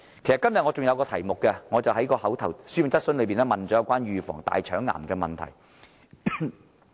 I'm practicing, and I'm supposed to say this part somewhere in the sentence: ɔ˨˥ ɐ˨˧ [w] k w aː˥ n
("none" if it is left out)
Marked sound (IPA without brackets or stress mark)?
w